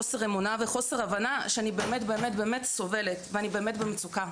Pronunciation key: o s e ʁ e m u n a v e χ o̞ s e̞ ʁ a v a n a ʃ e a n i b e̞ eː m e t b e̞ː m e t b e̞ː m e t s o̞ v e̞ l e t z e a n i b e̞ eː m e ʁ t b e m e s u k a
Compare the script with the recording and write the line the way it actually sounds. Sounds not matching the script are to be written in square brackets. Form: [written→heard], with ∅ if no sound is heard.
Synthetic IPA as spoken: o s e ʁ e m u n a v e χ o̞ s e̞ ʁ a v a n a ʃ e a n i b e̞ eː m e t b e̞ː m e t b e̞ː m e t s o̞ v e̞ l e t [z→v] e a n i b e̞ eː m e [ʁ→∅] t b e m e [s→t͡s] u k a

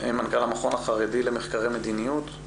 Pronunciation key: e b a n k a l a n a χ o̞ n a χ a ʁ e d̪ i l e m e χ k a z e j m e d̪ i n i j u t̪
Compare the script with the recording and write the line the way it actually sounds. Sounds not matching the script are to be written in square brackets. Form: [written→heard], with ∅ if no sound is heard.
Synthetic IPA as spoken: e [b→m] a n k a l a [n→m] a χ o̞ n a χ a ʁ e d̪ i l e m e χ k a [z→ʁ] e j m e d̪ i n i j u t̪

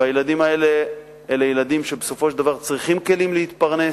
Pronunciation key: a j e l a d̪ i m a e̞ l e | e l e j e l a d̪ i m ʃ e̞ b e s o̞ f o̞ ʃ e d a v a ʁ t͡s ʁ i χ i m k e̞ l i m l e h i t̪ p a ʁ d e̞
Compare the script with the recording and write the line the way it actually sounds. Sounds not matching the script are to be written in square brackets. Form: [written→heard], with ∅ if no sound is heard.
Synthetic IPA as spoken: a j e l a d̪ i m a e̞ l e | e l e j e l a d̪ i m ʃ e̞ b e s o̞ f o̞ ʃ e d a v a ʁ t͡s ʁ i χ i m k e̞ l i m l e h i t̪ p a ʁ [d→n] e̞

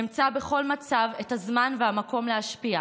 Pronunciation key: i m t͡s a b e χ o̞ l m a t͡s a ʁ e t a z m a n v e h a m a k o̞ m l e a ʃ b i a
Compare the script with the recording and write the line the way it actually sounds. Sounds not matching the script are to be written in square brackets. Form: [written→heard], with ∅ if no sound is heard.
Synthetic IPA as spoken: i m t͡s a b e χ o̞ l m a t͡s a [ʁ→v] e t a z m a n v e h a m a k o̞ m l e a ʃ [b→p] i a

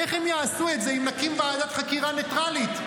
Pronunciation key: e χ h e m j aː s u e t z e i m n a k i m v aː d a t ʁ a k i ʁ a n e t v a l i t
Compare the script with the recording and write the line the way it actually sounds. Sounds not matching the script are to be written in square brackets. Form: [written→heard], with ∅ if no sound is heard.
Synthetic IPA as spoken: e χ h e m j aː s u e t z e i m n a k i m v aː d a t [ʁ→χ] a k i ʁ a n e t [v→ʁ] a l i t

